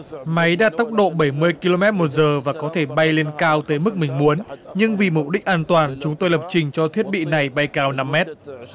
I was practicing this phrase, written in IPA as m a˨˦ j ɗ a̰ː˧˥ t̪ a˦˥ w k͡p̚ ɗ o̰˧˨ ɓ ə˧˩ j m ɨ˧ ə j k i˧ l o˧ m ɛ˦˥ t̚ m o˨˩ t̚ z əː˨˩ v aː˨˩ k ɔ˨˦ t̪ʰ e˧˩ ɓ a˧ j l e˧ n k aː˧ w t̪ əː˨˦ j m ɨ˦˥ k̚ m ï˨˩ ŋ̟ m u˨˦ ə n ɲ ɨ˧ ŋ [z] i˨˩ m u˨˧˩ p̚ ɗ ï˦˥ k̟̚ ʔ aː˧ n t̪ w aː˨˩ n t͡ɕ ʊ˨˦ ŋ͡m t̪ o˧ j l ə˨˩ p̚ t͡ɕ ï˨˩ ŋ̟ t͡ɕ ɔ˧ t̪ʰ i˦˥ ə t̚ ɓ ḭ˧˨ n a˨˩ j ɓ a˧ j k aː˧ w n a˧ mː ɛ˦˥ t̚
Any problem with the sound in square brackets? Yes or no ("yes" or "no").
yes